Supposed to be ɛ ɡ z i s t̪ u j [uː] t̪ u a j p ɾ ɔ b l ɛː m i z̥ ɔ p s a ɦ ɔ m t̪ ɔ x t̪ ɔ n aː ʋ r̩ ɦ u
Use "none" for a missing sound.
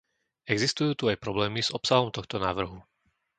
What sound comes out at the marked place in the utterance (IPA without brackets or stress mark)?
uː